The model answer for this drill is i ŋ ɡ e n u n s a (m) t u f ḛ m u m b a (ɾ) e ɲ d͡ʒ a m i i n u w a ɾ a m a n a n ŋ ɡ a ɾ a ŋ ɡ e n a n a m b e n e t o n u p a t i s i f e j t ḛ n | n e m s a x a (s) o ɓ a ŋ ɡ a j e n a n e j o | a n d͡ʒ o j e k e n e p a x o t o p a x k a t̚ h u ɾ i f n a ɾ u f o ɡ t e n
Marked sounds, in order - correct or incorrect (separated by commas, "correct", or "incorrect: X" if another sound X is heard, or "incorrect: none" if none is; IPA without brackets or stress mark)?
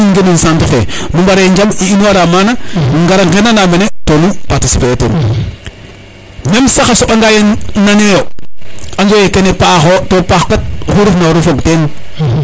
incorrect: n, correct, correct